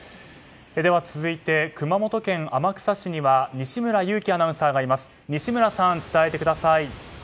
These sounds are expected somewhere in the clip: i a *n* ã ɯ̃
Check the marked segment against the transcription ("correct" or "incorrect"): correct